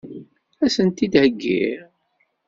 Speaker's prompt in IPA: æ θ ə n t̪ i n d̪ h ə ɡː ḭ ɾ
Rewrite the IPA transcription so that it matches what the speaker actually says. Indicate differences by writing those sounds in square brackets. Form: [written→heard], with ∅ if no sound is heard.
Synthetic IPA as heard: æ [θ→s] ə n t̪ i [n→∅] d̪ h ə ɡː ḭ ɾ